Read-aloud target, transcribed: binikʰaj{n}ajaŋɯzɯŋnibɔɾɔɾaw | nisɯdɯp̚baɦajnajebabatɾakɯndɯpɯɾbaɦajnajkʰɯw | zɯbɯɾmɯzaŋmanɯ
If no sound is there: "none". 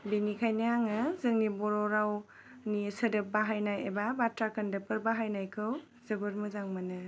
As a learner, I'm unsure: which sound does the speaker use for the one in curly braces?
n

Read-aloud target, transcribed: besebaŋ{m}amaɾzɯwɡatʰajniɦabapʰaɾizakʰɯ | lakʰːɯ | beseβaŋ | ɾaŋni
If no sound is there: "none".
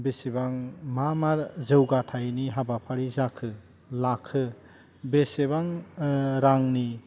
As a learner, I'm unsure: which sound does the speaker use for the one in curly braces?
m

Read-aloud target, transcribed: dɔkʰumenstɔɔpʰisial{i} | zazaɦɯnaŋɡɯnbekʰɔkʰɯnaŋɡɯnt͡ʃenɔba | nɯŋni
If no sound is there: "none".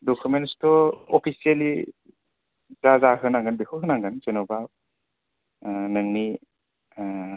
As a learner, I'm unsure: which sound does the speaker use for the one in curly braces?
i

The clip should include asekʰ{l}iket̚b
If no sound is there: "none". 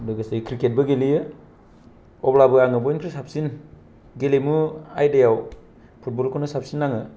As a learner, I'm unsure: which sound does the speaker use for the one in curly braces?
ɾ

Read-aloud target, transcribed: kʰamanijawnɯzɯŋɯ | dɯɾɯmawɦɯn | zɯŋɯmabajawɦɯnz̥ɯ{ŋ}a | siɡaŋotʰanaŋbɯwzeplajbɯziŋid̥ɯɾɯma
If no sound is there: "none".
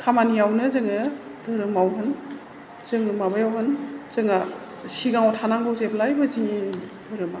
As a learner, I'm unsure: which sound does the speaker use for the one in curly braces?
ŋ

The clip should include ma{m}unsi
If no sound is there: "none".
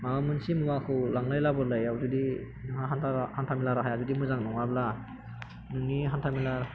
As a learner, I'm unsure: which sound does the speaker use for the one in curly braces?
m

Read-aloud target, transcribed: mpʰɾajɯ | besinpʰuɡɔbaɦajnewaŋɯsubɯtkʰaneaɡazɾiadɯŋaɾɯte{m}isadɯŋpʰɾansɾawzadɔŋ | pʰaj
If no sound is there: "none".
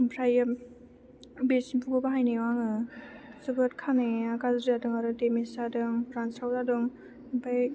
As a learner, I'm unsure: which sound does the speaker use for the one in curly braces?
m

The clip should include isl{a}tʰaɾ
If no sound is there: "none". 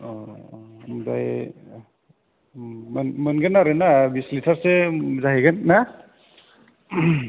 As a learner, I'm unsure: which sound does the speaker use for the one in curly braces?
i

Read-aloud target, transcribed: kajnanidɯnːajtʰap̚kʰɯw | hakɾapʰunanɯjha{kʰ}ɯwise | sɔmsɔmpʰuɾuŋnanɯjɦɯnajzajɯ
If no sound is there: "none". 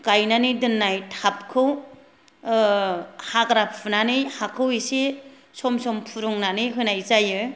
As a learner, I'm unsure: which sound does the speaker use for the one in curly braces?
kʰ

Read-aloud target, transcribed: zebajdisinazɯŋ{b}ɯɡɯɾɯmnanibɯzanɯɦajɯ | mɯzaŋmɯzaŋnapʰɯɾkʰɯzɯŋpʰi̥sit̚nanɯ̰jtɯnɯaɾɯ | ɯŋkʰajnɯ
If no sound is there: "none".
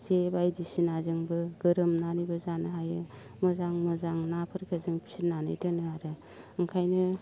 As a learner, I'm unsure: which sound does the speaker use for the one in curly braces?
b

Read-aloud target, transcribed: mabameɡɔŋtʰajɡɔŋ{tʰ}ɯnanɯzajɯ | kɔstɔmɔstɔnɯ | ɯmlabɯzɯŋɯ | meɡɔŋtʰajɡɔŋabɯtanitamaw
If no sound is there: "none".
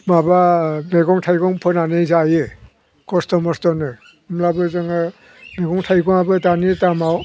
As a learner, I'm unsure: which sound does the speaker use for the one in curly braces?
pʰ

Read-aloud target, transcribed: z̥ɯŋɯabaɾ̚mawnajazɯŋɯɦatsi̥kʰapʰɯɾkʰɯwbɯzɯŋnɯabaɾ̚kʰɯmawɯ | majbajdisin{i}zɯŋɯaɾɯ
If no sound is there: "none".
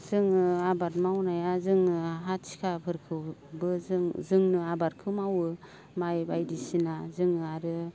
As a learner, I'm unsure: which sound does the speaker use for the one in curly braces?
a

